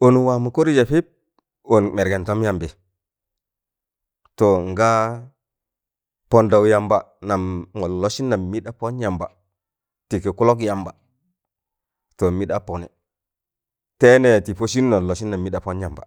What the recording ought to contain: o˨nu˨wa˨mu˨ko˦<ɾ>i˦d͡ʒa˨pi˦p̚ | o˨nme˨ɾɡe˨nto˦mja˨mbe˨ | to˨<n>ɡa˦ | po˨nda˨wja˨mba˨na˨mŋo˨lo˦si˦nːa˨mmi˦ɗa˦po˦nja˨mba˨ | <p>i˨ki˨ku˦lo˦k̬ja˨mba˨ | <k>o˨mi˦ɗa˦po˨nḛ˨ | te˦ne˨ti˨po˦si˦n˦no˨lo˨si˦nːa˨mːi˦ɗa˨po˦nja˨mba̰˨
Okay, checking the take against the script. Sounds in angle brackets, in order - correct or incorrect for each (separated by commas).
correct, incorrect, incorrect, incorrect